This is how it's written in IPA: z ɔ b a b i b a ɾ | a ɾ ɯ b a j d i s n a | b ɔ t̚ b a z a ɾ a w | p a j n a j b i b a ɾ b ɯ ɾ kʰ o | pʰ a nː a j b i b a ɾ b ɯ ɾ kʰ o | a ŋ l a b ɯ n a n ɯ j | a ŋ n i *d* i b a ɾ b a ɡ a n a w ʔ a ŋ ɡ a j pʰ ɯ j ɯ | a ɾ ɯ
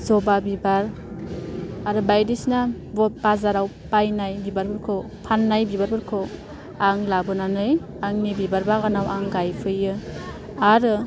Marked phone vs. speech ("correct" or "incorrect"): incorrect